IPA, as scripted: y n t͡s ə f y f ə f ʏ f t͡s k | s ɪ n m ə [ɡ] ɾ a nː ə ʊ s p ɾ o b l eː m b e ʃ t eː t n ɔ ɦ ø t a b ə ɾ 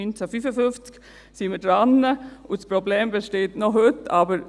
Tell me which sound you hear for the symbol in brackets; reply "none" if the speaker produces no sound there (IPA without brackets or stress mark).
d